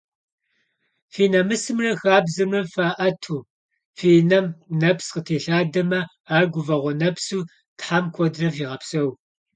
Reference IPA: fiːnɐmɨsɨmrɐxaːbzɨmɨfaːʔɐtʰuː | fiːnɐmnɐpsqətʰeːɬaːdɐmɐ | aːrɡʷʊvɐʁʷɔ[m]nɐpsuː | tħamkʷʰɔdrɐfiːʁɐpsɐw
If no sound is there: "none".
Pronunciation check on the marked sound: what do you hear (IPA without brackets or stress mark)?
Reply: none